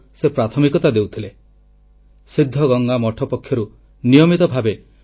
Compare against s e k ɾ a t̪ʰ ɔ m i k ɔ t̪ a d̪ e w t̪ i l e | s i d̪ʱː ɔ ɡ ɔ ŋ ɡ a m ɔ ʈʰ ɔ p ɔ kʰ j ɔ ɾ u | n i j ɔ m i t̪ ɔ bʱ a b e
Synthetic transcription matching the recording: s e p ɾ a t̪ʰ ɔ m i k ɔ t̪ a d̪ e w t̪ʰ i l e | s i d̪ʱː ɔ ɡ ɔ ŋ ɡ a m ɔ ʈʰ ɔ p ɔ kʰ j ɔ ɾ u | n i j ɔ m i t̪ ɔ bʱ a b e